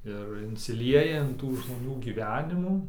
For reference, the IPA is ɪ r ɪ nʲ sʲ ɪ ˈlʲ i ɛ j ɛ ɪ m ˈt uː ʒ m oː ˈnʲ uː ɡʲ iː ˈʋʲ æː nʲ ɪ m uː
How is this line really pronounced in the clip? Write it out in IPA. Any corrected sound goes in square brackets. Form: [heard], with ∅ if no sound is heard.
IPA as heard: ɪ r ɪ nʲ sʲ ɪ ˈlʲ i ɛ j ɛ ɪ [n] ˈt uː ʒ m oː ˈnʲ uː ɡʲ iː ˈʋʲ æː nʲ ɪ m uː